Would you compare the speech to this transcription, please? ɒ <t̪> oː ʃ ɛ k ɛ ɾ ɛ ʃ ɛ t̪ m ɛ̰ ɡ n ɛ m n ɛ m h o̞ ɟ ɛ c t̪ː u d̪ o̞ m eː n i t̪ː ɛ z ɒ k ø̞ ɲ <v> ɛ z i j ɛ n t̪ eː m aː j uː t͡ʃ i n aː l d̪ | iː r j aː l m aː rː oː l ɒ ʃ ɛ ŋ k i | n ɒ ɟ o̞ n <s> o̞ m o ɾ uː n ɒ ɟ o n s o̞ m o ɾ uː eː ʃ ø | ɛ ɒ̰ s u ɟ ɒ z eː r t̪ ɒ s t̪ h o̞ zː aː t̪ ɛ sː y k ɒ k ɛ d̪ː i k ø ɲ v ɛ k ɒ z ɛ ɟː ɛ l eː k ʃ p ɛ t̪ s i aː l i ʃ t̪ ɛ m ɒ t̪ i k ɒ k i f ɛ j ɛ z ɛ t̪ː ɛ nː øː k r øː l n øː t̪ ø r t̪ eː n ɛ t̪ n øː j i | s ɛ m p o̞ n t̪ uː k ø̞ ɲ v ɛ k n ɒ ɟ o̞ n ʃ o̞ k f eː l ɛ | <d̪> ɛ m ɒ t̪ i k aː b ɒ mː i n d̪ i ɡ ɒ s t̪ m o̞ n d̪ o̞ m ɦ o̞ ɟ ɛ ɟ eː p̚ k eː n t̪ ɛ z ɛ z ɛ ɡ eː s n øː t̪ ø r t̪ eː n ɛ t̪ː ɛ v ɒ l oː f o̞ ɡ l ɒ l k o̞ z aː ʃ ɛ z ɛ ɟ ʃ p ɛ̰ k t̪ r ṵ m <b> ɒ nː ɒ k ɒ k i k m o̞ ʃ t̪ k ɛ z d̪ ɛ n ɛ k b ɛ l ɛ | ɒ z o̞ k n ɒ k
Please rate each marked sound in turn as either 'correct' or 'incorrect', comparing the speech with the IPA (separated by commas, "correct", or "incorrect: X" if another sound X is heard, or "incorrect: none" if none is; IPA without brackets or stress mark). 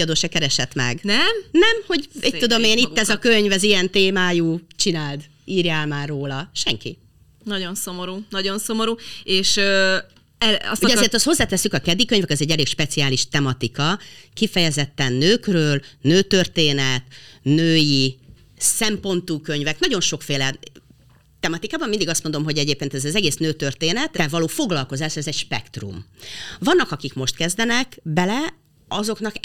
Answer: incorrect: d̪, correct, correct, incorrect: t̪, incorrect: v